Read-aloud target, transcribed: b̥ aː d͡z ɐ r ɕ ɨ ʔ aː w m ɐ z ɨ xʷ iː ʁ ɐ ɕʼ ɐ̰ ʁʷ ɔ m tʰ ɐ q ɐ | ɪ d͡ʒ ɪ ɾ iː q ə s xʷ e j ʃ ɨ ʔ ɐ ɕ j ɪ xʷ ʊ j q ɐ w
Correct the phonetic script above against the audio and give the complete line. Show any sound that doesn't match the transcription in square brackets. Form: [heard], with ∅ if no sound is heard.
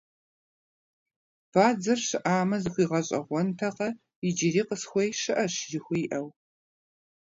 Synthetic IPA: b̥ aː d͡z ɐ r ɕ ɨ ʔ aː [∅] m ɐ z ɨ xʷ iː ʁ ɐ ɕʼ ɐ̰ ʁʷ ɔ [n] tʰ ɐ q ɐ | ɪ d͡ʒ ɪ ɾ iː q ə s xʷ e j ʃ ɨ ʔ ɐ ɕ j ɪ xʷ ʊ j [ʔ] ɐ w